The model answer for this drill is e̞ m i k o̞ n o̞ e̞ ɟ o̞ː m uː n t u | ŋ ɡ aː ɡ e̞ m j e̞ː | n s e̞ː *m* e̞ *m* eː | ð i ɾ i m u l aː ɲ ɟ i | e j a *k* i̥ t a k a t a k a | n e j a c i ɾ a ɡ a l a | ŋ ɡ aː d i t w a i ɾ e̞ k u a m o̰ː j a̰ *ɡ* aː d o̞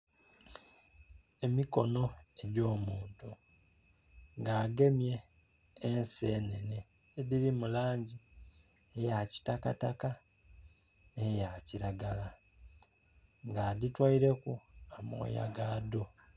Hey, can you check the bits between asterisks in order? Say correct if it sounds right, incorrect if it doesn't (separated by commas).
incorrect, incorrect, incorrect, correct